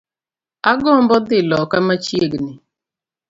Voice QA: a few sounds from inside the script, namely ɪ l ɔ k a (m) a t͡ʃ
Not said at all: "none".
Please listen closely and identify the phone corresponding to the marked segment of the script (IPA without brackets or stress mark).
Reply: m